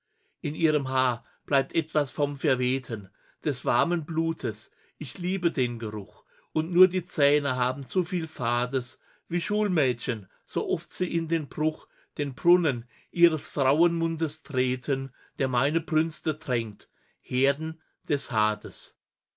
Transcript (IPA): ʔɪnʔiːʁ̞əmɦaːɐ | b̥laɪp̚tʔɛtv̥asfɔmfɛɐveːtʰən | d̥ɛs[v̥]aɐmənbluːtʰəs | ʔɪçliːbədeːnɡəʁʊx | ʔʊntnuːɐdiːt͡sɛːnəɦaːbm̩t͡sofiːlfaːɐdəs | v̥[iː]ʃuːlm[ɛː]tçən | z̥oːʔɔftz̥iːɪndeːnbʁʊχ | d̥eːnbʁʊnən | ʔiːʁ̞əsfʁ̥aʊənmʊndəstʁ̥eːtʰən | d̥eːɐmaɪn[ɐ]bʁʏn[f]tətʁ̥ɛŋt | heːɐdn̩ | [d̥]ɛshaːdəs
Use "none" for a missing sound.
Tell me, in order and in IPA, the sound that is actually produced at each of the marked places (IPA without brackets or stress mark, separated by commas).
v̥, iː, ɛː, ə, s, d̥